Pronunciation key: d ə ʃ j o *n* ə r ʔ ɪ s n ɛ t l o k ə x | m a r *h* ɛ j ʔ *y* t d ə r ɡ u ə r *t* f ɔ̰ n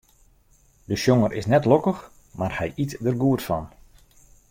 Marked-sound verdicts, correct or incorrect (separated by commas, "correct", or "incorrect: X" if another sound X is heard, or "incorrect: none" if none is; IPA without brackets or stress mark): incorrect: ŋ, correct, incorrect: i, correct